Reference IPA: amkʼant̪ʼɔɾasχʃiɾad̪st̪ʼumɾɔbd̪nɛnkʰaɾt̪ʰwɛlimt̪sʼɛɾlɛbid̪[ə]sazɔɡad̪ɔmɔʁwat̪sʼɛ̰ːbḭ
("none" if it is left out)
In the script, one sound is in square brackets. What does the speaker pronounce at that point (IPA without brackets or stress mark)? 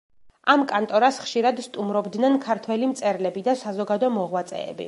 a